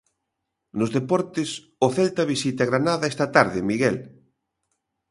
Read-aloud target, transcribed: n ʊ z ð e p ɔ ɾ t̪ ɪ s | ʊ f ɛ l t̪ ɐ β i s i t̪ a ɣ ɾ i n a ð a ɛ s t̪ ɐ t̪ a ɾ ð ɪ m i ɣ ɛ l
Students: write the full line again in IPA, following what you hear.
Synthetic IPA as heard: n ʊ z ð e p ɔ ɾ t̪ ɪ s | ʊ θ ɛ l t̪ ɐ β i s i t̪ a ɣ ɾ a n a ð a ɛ s t̪ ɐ t̪ a ɾ ð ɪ m i ɣ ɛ l